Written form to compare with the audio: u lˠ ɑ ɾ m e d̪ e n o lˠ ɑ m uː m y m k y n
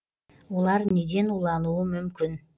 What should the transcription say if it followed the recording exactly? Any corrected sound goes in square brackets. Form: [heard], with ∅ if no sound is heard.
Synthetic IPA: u lˠ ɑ ɾ [n] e d̪ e n [u] lˠ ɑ [n] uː m y m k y n